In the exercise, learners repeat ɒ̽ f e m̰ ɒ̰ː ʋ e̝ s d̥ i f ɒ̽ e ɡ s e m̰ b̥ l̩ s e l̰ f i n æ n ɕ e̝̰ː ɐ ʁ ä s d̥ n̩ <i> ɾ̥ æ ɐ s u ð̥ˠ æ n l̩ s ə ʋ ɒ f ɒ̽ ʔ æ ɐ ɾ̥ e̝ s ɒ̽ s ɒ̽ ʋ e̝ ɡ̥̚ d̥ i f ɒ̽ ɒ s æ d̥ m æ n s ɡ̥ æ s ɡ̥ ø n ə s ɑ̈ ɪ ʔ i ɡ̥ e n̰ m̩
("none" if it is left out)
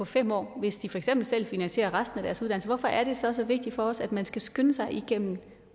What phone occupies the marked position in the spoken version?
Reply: æ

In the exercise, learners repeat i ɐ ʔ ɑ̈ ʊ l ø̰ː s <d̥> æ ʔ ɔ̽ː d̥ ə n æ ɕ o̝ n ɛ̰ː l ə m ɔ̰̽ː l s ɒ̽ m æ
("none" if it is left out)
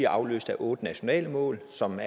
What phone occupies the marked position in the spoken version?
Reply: d̥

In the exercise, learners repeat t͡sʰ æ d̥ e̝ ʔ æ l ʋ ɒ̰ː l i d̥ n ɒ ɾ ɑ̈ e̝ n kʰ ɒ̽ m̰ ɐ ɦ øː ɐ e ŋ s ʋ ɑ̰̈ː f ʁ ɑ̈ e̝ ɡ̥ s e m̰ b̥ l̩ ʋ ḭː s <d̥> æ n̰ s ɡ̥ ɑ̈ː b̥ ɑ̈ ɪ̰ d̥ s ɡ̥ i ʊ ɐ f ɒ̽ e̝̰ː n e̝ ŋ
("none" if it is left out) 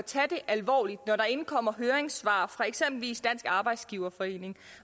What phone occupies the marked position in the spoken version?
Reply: d̥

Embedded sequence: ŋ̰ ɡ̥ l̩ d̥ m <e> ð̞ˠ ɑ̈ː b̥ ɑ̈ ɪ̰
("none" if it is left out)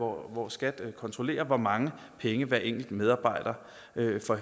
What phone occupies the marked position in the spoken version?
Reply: e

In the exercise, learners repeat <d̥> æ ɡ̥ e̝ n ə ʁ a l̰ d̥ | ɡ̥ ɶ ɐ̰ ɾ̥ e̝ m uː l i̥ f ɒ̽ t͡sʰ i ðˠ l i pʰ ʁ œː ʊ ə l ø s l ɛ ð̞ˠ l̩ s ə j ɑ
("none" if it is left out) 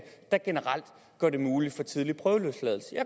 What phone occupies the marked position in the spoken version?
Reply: d̥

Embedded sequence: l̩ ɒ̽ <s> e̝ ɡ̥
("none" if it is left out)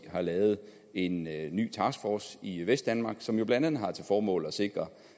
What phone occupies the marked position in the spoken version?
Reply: s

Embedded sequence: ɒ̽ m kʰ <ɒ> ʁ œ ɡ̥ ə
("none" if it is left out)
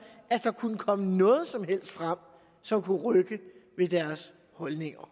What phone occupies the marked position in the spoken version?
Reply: u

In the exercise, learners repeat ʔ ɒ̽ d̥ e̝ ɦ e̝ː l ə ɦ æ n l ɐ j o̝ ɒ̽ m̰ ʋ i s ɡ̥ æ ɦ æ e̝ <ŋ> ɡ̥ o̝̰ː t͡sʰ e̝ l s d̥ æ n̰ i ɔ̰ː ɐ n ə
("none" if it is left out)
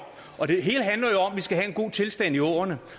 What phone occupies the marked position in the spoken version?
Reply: n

